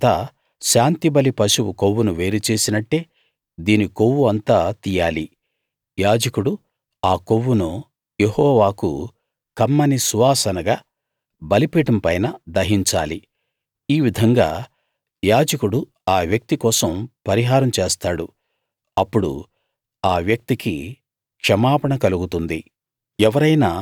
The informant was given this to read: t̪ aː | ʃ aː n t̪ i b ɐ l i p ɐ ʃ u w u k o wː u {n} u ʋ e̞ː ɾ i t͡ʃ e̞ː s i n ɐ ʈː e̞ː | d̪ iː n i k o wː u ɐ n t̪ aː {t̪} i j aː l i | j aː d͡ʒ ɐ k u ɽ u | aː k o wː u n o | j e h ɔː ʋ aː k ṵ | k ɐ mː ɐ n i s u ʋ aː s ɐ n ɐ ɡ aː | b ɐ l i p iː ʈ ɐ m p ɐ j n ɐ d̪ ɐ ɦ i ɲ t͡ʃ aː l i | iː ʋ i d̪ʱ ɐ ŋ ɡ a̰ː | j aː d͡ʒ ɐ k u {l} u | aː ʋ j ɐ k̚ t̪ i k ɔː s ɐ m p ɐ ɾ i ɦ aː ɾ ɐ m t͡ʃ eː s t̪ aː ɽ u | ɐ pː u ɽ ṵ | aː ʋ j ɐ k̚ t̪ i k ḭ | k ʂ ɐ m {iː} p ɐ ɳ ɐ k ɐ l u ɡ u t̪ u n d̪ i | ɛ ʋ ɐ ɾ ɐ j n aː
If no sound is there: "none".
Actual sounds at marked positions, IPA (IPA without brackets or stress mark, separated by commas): n, t̪, ɽ, aː